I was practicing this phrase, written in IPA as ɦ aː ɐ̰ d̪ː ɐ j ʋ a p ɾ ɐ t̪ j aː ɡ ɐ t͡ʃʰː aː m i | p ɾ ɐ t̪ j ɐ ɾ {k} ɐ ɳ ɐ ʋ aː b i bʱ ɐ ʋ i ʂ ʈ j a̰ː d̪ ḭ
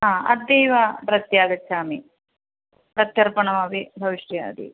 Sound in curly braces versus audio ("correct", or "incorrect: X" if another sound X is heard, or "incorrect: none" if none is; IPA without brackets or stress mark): incorrect: p